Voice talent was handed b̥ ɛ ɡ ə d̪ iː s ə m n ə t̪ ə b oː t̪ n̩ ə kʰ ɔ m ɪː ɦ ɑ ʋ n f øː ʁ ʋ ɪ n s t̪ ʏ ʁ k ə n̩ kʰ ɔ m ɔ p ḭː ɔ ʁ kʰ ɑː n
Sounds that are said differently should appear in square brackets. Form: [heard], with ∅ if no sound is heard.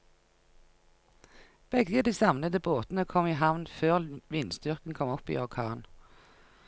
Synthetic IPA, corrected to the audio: b̥ ɛ ɡ ə d̪ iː s [ɑ] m n ə [d̪] ə b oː t̪ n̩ ə kʰ ɔ m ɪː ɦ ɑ ʋ n f øː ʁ ʋ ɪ n s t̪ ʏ ʁ k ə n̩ kʰ ɔ m ɔ p ḭː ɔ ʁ kʰ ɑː n

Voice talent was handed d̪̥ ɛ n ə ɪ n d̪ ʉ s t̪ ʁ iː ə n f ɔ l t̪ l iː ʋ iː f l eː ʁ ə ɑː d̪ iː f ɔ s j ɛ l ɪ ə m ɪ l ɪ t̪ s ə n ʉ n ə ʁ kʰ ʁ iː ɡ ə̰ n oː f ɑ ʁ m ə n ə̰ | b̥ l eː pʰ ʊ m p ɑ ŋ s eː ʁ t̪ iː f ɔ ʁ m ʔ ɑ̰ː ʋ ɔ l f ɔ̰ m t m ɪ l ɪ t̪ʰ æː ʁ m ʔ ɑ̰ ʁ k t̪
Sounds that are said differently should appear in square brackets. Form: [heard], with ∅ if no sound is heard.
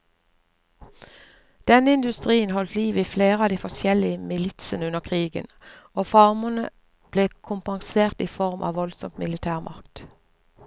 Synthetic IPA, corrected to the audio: d̪̥ ɛ n ə ɪ n d̪ ʉ s t̪ ʁ iː ə n [h] ɔ l t̪ l iː ʋ iː f l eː ʁ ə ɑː d̪ iː f ɔ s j ɛ l ɪ ə m ɪ l ɪ t̪ s ə n ʉ n ə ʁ kʰ ʁ iː ɡ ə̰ n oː f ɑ ʁ m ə n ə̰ | b̥ l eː [kʰ] ʊ m p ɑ ŋ s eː ʁ t̪ iː f ɔ ʁ m ʔ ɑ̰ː ʋ ɔ l [s] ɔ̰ m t m ɪ l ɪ t̪ʰ æː ʁ m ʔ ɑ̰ ʁ k t̪

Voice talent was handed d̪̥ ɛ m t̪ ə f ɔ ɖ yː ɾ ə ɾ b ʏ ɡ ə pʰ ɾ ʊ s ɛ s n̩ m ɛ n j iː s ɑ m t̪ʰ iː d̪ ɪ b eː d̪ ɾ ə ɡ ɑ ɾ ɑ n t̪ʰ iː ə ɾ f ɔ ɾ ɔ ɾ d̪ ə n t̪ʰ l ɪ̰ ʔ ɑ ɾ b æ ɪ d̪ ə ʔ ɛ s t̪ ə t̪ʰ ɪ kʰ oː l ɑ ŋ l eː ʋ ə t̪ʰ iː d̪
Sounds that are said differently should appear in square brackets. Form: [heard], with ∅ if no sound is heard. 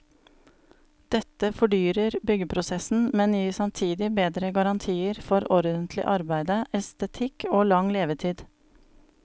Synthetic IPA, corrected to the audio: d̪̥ ɛ [∅] t̪ ə f ɔ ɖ yː ɾ ə ɾ b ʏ ɡ ə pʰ ɾ ʊ s ɛ s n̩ m ɛ n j iː s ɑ m t̪ʰ iː d̪ ɪ b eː d̪ ɾ ə ɡ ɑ ɾ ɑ n t̪ʰ iː ə ɾ f ɔ ɾ ɔ ɾ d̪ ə n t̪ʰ l ɪ̰ ʔ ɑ ɾ b æ ɪ d̪ ə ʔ ɛ s t̪ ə t̪ʰ ɪ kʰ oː l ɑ ŋ l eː ʋ ə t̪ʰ iː d̪

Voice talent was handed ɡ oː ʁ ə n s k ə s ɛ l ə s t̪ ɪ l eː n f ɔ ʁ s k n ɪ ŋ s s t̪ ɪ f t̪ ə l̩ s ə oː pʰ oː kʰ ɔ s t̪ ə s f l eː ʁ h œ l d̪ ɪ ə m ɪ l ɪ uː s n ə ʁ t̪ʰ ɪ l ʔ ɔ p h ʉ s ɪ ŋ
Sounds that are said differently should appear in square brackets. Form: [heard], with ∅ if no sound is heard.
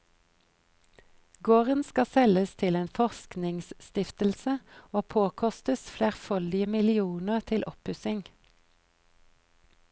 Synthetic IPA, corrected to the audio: ɡ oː ʁ ə n s k [ɑ] s ɛ l ə s [t̪ʰ] ɪ l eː n f ɔ ʁ s k n ɪ ŋ s s t̪ ɪ f t̪ ə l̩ s ə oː pʰ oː kʰ ɔ s t̪ ə s f l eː ʁ [f] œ l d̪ ɪ ə m ɪ l ɪ uː [∅] n ə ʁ t̪ʰ ɪ l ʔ ɔ p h ʉ s ɪ ŋ

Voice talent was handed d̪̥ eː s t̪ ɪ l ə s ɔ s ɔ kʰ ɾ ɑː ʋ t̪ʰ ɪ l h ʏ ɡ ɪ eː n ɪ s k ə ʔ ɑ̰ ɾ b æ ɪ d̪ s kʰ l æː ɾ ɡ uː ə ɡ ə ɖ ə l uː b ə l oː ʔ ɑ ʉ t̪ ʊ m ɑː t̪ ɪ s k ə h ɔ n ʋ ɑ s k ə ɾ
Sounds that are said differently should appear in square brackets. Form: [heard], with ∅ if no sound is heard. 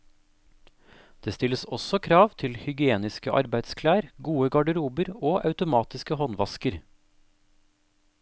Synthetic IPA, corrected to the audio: d̪̥ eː s t̪ ɪ l ə s ɔ s ɔ kʰ ɾ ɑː ʋ t̪ʰ ɪ l h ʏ ɡ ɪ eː n ɪ s k ə ʔ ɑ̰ ɾ b æ ɪ d̪ s kʰ l æː ɾ ɡ uː ə ɡ [ɑ] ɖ ə [ɾ] uː b ə [ɾ] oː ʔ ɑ ʉ t̪ ʊ m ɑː t̪ ɪ s k ə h ɔ n ʋ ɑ s k ə ɾ

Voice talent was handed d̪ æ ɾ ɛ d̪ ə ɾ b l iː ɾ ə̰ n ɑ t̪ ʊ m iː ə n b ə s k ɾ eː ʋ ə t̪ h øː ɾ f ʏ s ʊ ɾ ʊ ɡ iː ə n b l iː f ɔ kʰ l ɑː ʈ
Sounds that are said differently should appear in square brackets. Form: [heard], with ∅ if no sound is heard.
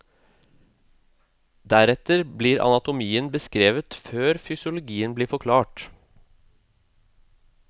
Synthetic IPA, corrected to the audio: d̪ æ ɾ ɛ [t̪] ə ɾ b l iː ɾ [ɑ̰] n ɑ t̪ ʊ m iː ə n b ə s k ɾ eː ʋ ə t̪ [f] øː ɾ f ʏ s ʊ [l] ʊ ɡ iː ə n b l iː f ɔ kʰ l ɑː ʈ

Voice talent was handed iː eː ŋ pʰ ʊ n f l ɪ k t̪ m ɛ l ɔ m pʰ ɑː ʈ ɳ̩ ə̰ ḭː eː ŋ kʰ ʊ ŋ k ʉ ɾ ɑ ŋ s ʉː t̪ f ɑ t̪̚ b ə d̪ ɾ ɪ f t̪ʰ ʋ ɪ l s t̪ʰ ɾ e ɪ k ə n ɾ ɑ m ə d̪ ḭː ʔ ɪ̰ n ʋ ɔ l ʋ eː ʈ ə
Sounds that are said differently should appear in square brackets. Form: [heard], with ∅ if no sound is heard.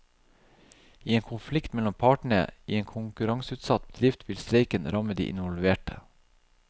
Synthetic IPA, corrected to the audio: iː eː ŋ [kʰ] ʊ n f l ɪ k t̪ m ɛ l ɔ m pʰ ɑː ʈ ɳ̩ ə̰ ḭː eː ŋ kʰ ʊ ŋ k ʉ ɾ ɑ ŋ s ʉː t̪ [s] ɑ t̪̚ b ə d̪ ɾ ɪ f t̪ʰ ʋ ɪ l s [t̪] ɾ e ɪ k ə n ɾ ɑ m ə d̪ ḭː ʔ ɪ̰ n ʋ ɔ l ʋ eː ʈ ə

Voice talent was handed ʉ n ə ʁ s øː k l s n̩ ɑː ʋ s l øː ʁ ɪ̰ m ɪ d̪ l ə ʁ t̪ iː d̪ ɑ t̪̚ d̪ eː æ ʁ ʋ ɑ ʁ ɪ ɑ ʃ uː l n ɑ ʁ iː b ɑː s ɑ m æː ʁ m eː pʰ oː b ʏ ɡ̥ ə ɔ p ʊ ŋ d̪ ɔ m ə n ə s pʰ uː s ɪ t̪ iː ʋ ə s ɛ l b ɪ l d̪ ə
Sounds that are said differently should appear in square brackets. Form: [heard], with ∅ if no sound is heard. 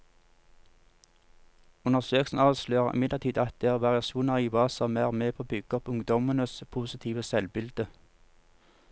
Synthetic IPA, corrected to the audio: ʉ n ə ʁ s øː k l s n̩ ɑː ʋ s l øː ʁ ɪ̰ m ɪ d̪ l ə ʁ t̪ iː d̪ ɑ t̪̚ d̪ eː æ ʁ ʋ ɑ ʁ ɪ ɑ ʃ uː [∅] n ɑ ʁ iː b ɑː s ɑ m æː ʁ m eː pʰ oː b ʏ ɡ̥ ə ɔ p ʊ ŋ d̪ ɔ m ə n ə s pʰ uː s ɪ [t̪ʰ] iː ʋ ə s ɛ l b ɪ l d̪ ə

